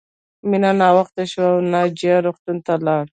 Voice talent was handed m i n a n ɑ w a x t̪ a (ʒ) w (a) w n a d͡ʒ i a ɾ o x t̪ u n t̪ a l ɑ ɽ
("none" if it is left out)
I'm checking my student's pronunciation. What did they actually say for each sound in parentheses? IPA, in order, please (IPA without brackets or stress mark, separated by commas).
ʃ, a